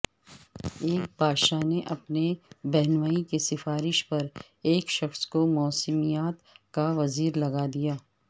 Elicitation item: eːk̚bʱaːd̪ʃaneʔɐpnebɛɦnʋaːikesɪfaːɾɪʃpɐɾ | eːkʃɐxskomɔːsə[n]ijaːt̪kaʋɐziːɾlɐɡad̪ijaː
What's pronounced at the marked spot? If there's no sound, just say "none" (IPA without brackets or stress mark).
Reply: m